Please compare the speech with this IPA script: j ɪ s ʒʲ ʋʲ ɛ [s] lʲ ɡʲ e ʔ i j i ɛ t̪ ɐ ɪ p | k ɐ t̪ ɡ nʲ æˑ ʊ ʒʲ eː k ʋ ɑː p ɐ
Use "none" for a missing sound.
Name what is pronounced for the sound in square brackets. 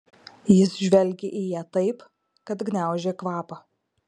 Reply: none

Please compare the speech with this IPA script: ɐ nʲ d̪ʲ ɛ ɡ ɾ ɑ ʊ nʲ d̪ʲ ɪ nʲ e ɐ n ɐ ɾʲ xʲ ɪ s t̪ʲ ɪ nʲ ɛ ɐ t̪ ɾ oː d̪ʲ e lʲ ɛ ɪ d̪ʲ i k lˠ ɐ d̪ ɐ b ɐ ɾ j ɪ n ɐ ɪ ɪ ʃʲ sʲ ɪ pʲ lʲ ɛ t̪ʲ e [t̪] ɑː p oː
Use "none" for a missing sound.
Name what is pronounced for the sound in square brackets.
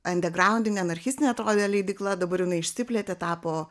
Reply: t̪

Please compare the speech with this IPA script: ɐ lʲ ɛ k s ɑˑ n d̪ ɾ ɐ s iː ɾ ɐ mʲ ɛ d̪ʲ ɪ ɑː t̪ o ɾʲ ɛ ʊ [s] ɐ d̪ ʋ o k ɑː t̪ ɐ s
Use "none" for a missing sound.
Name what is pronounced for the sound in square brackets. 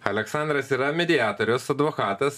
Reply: s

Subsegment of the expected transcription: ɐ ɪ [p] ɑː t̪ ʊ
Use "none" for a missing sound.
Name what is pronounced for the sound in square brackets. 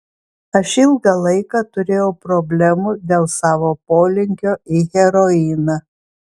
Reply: k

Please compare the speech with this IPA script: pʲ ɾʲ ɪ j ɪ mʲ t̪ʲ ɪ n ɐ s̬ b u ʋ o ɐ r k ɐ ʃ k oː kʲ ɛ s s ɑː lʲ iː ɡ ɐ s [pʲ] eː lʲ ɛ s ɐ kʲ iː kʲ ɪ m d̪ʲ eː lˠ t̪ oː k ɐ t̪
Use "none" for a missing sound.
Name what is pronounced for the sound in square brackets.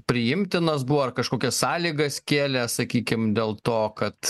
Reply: kʲ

